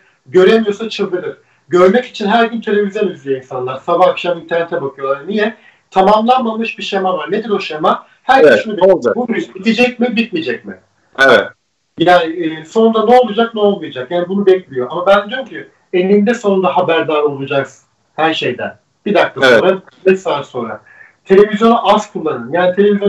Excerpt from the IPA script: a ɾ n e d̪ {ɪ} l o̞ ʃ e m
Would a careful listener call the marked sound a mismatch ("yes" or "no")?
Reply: yes